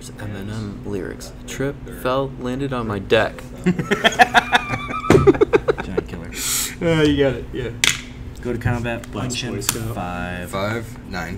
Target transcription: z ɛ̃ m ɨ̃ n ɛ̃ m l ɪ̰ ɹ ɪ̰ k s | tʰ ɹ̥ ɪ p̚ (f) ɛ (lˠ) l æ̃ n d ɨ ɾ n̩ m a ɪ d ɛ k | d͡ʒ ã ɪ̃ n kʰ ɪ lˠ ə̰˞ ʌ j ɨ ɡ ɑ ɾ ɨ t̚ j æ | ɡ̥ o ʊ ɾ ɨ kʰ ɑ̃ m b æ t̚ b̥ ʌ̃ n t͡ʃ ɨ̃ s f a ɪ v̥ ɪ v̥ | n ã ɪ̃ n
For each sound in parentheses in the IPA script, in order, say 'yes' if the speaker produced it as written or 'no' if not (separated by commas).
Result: yes, yes